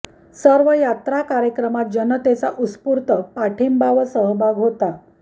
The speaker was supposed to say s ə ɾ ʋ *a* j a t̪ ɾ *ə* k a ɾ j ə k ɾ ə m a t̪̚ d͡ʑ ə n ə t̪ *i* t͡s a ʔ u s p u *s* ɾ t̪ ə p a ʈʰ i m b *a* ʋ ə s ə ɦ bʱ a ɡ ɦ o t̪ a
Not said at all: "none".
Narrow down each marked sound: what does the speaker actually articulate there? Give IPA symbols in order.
ə, a, e, none, a

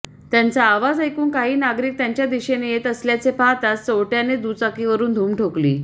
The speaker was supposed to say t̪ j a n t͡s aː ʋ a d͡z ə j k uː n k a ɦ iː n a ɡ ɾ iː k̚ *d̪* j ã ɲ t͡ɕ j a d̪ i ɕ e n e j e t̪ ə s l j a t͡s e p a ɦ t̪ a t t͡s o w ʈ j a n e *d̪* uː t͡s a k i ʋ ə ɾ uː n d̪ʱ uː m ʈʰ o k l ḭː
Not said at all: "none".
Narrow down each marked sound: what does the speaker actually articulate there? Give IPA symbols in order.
t̪, d̪

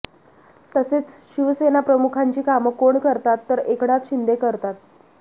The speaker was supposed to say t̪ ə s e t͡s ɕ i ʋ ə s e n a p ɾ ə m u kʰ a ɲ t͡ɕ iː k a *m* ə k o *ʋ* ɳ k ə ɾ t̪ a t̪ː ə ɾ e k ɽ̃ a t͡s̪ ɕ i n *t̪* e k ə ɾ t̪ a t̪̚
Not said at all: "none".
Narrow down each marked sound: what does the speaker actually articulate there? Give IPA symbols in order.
m, none, d̪

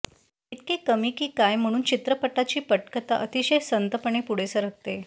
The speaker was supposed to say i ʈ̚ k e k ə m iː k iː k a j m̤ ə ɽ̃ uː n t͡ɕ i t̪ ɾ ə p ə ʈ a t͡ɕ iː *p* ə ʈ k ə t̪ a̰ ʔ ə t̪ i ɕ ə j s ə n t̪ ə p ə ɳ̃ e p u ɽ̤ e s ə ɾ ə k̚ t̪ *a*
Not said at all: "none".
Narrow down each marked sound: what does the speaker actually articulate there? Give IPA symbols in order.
p, e

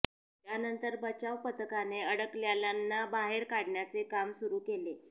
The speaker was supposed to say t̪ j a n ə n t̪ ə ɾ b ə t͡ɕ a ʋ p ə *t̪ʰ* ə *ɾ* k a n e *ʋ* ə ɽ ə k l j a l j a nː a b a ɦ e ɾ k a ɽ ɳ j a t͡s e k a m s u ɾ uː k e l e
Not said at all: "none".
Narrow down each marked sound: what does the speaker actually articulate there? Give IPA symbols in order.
t̪, none, none

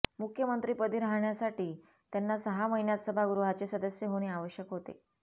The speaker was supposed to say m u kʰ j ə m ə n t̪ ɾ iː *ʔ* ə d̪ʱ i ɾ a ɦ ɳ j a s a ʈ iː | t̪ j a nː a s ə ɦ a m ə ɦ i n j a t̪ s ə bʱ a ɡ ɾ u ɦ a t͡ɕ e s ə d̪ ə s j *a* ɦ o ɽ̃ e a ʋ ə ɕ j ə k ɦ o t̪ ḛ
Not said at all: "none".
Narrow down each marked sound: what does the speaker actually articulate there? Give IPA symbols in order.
p, ə

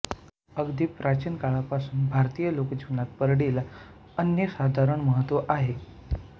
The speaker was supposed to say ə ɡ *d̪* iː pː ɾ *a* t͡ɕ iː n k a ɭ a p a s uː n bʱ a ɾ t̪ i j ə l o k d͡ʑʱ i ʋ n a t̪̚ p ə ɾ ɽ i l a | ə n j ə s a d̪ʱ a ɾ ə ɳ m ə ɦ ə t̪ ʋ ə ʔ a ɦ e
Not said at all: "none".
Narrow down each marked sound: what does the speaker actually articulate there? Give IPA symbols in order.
d̪, a

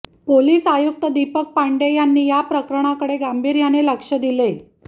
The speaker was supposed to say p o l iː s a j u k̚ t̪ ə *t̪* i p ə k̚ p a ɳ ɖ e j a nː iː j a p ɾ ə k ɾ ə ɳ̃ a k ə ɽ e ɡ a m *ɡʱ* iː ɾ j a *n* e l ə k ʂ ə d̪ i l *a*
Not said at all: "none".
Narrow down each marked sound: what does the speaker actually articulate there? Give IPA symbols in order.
d̪, bʱ, n, e

